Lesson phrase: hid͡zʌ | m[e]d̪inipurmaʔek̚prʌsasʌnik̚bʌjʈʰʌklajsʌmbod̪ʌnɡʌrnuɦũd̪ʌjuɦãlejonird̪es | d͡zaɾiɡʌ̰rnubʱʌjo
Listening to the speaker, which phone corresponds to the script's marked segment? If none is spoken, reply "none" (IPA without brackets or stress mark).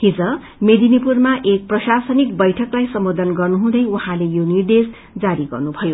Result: e